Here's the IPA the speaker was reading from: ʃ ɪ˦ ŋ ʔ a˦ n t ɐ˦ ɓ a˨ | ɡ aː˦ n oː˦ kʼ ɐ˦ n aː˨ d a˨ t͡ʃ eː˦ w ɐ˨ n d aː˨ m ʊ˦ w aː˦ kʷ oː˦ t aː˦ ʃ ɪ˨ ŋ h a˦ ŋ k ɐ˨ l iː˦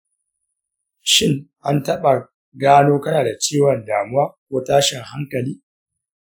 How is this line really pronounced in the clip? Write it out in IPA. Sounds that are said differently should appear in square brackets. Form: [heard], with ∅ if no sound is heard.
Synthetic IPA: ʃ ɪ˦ ŋ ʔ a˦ n t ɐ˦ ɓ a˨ | ɡ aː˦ n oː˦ [k] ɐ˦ n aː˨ d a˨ t͡ʃ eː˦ w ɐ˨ n d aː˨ m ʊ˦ w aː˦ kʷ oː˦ t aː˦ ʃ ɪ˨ ŋ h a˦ ŋ k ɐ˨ l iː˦

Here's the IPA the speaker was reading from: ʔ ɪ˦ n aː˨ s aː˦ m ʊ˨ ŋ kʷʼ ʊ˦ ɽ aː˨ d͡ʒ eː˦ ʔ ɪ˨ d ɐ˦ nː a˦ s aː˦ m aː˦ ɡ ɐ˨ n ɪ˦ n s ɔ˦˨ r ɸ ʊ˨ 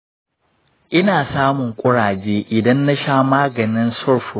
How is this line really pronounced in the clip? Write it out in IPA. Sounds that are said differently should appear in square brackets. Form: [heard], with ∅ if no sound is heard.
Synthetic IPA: ʔ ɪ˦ n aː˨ s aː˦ m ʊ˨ ŋ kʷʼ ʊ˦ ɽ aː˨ d͡ʒ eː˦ ʔ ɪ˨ d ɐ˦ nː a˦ [ʃ] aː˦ m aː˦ ɡ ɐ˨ n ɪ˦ n s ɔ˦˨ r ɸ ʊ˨

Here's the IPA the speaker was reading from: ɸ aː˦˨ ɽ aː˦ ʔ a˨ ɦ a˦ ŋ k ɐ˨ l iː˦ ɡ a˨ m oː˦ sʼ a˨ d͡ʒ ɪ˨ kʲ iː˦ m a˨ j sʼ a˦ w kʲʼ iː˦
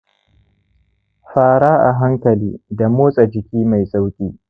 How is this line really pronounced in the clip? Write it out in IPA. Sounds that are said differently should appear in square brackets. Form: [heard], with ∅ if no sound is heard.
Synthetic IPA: ɸ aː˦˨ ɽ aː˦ ʔ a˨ ɦ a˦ ŋ k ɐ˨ l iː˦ [d] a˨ m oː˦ sʼ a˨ d͡ʒ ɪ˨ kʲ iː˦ m a˨ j sʼ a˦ w kʲʼ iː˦

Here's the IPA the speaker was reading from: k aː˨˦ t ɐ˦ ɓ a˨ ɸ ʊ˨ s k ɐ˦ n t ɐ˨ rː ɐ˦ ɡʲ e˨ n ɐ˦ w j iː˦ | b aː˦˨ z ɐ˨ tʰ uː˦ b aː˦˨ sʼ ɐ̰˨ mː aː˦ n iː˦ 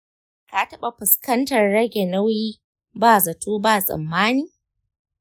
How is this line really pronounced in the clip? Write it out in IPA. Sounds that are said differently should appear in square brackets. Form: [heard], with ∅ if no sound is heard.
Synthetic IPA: k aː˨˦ t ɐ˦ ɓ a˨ ɸ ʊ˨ s k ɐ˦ n t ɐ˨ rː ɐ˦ ɡʲ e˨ n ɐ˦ w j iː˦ | b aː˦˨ z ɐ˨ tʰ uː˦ b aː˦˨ sʼ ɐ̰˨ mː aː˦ n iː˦

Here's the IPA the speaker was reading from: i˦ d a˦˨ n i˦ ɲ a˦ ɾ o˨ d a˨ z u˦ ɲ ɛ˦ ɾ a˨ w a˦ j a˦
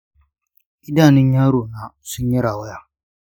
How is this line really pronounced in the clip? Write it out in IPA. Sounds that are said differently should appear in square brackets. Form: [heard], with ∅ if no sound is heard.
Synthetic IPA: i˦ d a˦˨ n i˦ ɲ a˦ ɾ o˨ [n] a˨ [s] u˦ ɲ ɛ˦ ɾ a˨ w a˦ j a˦

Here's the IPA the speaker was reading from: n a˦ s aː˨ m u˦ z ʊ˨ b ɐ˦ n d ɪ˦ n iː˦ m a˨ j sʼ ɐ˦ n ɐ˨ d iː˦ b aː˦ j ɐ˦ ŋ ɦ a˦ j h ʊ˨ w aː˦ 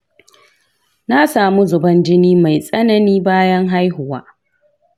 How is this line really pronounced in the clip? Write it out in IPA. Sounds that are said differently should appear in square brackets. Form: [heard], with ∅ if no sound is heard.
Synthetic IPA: n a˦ s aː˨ m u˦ z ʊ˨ b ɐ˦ n [d͡ʒ] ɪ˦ n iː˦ m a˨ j sʼ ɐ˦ n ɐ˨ [n] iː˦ b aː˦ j ɐ˦ ŋ ɦ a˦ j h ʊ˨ w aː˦

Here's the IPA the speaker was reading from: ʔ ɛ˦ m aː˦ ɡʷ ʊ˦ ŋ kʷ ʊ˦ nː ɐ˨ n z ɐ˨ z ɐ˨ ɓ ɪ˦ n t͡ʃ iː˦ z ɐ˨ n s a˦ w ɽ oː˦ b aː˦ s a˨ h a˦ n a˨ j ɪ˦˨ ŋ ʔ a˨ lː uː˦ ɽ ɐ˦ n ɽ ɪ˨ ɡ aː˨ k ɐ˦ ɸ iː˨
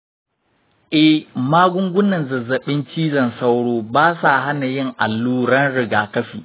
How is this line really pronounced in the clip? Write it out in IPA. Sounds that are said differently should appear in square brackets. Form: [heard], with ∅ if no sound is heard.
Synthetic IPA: ʔ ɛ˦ m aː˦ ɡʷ ʊ˦ ŋ [ɡʷ] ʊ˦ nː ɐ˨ n z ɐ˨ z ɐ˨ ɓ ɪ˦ n t͡ʃ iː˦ z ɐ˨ n s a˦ w ɽ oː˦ b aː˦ s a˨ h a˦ n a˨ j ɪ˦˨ ŋ ʔ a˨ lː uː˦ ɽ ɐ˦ n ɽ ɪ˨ ɡ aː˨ k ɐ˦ ɸ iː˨

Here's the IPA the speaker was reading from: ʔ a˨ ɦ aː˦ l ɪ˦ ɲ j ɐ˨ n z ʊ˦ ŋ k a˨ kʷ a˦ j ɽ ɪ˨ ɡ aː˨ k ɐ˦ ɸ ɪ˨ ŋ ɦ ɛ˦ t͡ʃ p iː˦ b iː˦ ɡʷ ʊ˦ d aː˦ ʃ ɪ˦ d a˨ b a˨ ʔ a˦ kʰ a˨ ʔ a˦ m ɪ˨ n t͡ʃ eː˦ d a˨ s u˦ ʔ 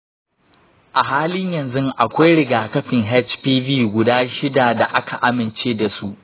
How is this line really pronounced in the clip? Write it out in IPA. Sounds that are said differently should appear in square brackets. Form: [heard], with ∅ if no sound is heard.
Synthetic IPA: ʔ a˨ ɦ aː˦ l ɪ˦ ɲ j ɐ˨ n z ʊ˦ ŋ [ʔ] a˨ kʷ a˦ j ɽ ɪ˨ ɡ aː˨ k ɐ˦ ɸ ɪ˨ ŋ ɦ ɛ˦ t͡ʃ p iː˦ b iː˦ ɡʷ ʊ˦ d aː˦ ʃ ɪ˦ d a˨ [d] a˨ ʔ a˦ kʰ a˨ ʔ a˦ m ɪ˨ n t͡ʃ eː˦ d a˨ s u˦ ʔ

